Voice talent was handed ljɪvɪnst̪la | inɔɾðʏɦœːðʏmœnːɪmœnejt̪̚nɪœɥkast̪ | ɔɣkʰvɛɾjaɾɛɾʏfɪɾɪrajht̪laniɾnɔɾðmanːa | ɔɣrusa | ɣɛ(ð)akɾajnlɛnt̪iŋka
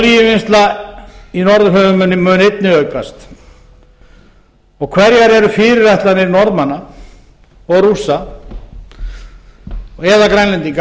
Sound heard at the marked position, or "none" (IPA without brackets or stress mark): ð